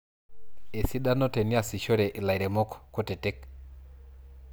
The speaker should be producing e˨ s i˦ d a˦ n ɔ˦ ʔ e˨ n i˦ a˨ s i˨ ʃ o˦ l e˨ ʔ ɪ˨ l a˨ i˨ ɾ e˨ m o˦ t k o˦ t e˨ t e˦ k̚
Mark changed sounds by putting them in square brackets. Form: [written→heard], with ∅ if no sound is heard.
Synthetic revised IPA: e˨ s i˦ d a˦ n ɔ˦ [ʔ→t] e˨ n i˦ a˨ s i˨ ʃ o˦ [l→ɾ] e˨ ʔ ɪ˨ l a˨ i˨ ɾ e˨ m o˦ [t→k] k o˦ t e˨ t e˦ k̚

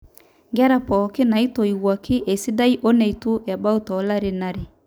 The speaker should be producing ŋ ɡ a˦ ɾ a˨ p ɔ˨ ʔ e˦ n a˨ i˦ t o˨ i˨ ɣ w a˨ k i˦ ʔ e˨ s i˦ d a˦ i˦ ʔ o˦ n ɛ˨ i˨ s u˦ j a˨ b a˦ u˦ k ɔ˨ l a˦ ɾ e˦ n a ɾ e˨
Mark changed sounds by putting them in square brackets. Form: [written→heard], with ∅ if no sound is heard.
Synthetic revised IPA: ŋ ɡ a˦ ɾ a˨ p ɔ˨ [ʔ→k] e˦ n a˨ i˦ t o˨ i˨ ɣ w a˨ k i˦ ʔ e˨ s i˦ d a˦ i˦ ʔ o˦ n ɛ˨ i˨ [s→t] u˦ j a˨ b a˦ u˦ [k→t] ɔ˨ l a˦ ɾ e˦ n a ɾ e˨

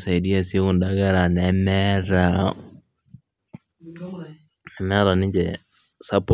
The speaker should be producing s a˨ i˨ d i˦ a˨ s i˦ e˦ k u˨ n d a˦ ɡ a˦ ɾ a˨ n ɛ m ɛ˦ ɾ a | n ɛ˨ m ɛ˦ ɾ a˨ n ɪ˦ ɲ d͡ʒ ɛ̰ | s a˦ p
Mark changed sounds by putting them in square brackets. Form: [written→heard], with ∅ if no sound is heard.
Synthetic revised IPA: s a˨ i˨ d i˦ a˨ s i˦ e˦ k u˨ n d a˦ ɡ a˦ ɾ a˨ n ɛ m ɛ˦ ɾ a | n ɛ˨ m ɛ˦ ɾ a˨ n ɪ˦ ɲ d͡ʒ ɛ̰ | s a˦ p

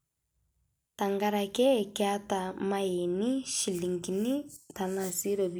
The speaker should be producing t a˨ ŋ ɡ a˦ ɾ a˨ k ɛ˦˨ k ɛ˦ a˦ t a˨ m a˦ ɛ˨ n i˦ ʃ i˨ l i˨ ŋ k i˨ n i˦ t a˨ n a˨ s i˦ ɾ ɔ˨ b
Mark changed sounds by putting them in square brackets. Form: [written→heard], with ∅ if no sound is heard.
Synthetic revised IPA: t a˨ ŋ ɡ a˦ ɾ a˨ k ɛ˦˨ k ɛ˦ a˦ t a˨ m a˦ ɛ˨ n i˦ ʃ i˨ l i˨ ŋ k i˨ n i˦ t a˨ n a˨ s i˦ ɾ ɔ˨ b

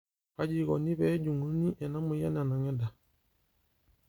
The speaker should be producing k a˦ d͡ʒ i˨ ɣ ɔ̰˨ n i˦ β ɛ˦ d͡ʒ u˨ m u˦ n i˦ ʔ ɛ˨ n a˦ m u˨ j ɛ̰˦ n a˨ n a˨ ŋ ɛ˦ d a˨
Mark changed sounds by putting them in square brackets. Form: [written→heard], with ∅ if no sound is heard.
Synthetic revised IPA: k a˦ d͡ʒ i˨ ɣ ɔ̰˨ n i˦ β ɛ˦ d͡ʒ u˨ [m→ŋ] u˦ n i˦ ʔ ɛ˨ n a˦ m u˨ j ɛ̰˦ n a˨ n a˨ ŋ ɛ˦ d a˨

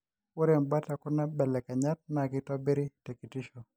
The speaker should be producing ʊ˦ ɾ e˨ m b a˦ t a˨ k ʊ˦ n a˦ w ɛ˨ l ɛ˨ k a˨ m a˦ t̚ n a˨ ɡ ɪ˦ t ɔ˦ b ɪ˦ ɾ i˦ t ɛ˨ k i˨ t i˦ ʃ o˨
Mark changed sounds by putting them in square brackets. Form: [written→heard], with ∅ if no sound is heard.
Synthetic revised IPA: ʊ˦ ɾ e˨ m b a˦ t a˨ k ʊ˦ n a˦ [w→b] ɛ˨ l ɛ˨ k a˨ [m→ɲ] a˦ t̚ n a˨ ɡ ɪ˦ t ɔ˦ b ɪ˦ ɾ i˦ t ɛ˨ k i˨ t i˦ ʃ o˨

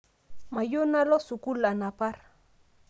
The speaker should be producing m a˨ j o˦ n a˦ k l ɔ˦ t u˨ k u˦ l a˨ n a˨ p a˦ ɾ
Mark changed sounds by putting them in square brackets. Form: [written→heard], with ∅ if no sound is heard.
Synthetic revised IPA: m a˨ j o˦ n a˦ [k→∅] l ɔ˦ [t→s] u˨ k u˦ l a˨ n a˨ p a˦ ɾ

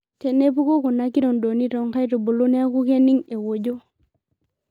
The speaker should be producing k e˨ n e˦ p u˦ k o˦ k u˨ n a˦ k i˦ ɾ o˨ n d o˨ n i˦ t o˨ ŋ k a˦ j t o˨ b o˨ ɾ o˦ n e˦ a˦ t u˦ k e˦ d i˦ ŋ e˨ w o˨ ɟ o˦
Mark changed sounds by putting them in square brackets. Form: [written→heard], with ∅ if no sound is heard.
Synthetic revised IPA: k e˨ n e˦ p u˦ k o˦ k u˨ n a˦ k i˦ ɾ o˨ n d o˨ n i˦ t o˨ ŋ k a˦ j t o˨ b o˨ [ɾ→l] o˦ n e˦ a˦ [t→k] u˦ k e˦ [d→n] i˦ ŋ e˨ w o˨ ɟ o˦

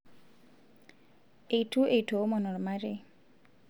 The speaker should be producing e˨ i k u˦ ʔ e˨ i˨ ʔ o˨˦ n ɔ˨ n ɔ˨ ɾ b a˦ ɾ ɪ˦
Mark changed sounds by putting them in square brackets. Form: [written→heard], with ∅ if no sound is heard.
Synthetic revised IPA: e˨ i [k→t] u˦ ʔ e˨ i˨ [ʔ→t] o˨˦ [n→m] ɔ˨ n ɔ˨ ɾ [b→m] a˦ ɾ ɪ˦

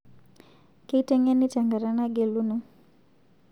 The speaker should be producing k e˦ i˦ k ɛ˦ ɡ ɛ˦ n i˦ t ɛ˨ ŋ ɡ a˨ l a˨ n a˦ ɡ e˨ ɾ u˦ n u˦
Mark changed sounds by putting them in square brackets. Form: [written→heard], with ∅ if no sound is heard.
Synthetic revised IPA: k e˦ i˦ [k→t] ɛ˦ [ɡ→ŋ] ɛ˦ n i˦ t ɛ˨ ŋ ɡ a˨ [l→ɾ] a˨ n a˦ ɡ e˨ [ɾ→l] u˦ n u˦

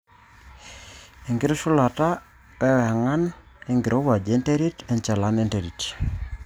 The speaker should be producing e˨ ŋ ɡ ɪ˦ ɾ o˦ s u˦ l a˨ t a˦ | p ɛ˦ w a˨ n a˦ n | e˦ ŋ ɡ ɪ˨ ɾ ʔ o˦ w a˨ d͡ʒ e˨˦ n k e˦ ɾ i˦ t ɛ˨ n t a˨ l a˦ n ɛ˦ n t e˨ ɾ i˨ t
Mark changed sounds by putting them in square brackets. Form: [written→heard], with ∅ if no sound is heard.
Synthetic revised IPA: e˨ ŋ ɡ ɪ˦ ɾ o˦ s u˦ l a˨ t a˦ | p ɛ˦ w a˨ [n→ŋ] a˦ n | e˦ ŋ ɡ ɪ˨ ɾ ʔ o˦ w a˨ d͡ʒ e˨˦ n [k→t] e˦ ɾ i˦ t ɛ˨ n [t→t͡ʃ] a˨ l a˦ n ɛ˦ n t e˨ ɾ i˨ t

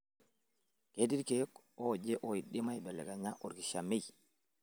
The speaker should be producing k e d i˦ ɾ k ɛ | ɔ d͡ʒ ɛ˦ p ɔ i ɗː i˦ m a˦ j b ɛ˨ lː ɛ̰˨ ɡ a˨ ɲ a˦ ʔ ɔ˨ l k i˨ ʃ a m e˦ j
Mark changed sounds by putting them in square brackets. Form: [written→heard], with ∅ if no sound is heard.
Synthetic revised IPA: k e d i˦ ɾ k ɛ | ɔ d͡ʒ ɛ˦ [p→ʔ] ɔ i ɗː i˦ m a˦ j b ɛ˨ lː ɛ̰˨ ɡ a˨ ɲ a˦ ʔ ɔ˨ [l→ɾ] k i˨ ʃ a m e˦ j

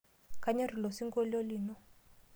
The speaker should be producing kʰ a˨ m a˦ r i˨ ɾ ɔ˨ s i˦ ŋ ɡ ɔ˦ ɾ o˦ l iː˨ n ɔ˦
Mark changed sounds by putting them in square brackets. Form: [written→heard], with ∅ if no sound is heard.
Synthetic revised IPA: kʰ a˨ [m→ɲ] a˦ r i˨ [ɾ→l] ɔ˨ s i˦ ŋ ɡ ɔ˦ [ɾ→l] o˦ l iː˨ n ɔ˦

